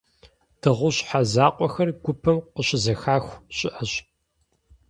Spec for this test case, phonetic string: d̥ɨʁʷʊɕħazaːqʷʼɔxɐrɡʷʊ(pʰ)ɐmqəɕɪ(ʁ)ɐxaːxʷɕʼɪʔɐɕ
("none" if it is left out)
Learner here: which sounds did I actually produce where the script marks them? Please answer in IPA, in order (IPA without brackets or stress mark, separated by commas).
pʰ, z